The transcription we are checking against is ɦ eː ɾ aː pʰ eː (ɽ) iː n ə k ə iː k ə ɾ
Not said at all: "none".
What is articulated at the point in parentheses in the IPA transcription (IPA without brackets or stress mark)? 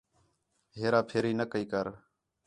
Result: ɾ